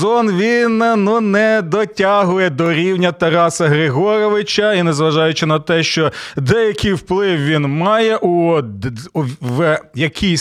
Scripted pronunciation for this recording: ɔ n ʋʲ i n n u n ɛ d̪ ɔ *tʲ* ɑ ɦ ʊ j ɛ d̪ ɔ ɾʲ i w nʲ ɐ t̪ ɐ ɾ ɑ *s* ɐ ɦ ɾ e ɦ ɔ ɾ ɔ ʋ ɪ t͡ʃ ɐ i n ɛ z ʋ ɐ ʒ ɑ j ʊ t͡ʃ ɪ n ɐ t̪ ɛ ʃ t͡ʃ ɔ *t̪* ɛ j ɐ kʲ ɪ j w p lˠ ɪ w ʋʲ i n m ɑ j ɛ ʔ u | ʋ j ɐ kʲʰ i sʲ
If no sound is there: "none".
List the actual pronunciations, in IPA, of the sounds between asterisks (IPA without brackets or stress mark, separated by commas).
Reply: tʲ, s, d̪